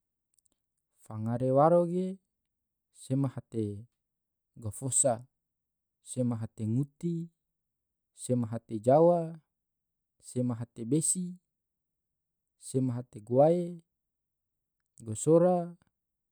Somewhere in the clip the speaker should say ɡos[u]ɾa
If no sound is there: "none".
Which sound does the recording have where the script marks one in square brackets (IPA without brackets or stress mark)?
o